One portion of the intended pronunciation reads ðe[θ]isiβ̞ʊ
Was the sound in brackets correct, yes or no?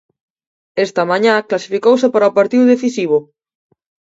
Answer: yes